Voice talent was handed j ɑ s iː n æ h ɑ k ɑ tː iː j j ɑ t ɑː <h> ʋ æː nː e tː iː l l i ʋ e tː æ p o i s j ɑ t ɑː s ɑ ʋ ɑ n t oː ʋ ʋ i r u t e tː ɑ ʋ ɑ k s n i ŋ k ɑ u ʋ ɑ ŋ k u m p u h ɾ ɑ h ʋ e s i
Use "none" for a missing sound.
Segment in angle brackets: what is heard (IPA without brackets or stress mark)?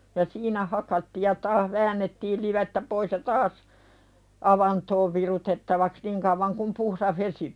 h